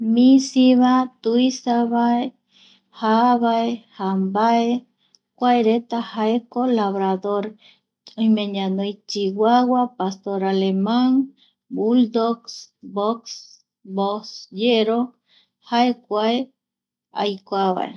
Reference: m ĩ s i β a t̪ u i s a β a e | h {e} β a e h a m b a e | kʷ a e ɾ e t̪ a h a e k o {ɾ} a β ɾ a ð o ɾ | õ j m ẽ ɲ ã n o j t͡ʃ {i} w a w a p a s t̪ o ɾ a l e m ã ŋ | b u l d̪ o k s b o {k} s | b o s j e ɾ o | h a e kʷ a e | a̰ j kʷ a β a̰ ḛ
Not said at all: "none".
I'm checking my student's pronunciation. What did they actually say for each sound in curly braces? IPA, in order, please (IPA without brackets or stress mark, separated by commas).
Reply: a, l, i, k